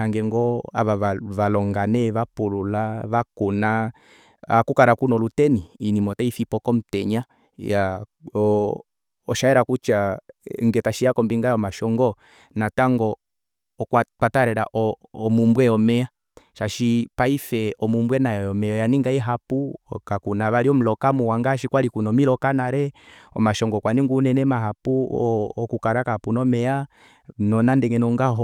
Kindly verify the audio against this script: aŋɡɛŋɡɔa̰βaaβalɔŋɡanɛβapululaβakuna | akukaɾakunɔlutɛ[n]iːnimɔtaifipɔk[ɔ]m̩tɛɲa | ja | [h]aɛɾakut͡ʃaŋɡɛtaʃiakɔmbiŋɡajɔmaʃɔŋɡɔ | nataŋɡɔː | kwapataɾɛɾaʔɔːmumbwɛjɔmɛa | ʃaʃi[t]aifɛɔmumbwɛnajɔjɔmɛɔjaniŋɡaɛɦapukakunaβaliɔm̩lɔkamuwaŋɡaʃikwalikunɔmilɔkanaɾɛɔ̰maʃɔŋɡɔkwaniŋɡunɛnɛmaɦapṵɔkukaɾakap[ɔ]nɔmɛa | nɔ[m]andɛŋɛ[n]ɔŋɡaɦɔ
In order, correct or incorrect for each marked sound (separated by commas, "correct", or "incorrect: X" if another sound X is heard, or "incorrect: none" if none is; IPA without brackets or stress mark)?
correct, correct, incorrect: ʃ, incorrect: p, incorrect: u, incorrect: n, correct